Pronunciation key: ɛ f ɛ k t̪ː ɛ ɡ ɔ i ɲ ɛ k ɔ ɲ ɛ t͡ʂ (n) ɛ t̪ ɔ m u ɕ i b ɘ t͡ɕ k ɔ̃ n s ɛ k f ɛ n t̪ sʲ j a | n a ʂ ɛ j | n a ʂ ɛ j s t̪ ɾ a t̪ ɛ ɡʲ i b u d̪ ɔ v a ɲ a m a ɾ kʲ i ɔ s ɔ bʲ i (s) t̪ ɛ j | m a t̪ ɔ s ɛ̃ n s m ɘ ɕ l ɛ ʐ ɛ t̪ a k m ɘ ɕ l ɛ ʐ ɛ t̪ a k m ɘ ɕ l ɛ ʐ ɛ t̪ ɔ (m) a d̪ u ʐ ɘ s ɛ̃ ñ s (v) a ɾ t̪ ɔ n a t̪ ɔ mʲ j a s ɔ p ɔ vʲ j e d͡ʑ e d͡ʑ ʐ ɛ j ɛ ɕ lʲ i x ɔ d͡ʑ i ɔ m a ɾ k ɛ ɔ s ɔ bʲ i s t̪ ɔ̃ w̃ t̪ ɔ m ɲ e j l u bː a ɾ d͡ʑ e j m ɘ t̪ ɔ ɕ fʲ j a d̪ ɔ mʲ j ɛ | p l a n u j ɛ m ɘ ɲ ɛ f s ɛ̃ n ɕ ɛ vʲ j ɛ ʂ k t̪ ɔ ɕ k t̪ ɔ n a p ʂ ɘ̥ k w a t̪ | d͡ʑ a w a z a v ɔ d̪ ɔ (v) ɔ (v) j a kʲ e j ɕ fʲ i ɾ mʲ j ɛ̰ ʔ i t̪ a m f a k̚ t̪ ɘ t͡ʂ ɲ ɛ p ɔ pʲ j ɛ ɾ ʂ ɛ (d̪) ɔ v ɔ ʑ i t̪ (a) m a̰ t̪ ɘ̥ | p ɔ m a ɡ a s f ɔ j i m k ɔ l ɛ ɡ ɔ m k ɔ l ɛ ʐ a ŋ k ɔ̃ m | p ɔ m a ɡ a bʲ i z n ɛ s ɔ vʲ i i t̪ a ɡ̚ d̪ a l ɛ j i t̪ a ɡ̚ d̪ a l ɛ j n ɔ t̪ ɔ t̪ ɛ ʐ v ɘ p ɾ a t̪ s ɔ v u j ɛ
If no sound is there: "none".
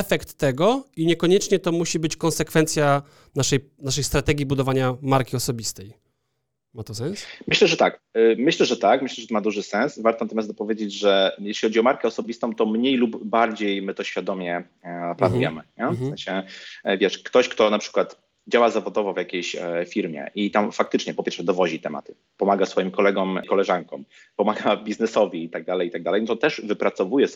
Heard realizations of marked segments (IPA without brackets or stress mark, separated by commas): ɲ, s, m, v, v, v, d̪, ɛ